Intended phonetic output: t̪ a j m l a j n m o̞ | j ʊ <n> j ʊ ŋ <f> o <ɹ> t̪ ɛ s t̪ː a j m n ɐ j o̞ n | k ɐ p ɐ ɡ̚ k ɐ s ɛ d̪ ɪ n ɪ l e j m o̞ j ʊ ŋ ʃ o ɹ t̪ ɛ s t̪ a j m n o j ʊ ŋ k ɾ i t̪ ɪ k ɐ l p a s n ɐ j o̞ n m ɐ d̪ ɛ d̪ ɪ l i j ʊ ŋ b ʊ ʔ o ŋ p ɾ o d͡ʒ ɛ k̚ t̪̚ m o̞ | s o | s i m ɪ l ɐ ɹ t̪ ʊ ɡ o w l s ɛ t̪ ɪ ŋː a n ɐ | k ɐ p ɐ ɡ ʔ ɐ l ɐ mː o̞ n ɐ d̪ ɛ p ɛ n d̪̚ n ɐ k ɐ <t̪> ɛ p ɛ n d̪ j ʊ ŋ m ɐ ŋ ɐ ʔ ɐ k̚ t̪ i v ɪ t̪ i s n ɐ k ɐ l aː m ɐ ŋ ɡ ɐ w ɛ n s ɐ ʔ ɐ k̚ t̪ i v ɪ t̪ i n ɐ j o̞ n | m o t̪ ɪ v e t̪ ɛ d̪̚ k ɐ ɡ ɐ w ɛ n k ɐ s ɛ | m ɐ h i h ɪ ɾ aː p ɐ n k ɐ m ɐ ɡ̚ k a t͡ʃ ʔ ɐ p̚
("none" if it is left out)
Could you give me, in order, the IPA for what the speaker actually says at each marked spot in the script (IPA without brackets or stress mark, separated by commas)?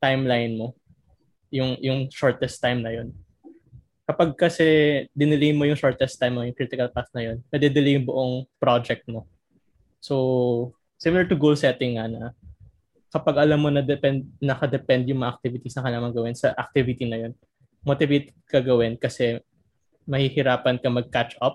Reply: ŋ, ʃ, ɹ, d̪